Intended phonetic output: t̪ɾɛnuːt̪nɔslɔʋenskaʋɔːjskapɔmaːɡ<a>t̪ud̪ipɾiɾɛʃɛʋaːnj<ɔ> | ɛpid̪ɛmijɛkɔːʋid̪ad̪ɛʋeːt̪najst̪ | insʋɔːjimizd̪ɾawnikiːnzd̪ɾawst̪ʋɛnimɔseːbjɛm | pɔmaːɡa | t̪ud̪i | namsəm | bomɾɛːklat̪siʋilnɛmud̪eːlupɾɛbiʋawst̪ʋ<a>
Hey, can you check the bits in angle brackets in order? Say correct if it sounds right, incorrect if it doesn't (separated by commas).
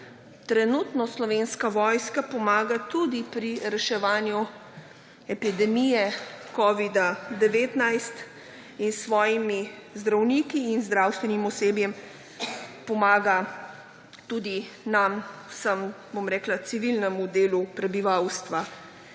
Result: correct, incorrect, correct